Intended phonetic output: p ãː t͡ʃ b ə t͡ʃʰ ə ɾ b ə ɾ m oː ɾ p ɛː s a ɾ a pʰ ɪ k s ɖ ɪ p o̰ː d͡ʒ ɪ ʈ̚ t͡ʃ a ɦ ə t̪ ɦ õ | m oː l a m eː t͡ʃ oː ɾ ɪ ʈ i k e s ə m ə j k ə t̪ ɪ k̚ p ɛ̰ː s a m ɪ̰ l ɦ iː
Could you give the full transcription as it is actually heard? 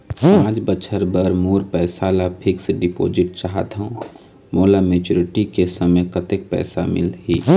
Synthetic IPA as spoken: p ãː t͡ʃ b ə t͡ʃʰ ə ɾ b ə ɾ m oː ɾ p ɛː s a l a pʰ ɪ k s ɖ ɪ p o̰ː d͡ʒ ɪ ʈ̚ t͡ʃ a ɦ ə t̪ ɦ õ | m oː l a m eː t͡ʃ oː ɾ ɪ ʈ i k e s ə m ə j k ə t̪ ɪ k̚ p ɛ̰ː s a m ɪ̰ l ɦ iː